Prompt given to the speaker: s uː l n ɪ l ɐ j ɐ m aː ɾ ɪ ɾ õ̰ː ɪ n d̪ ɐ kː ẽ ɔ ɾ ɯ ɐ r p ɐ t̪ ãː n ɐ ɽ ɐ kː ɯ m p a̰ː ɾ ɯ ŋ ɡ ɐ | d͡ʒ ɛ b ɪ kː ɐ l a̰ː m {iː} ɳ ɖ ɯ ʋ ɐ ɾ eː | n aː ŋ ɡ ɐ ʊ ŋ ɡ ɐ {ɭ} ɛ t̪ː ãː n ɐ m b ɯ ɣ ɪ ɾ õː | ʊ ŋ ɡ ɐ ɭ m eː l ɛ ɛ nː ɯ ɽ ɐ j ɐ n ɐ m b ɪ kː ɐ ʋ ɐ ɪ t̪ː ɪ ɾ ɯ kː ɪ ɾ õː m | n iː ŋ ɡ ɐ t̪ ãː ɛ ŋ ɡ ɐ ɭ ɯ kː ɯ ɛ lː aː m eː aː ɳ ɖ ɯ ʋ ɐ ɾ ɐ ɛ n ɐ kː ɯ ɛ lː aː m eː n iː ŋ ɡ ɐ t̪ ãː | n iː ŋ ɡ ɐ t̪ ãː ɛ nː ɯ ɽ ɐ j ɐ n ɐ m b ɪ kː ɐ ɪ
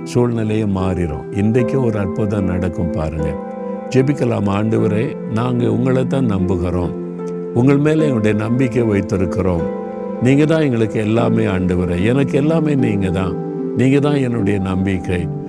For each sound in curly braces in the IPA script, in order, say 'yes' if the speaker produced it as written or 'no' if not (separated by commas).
no, yes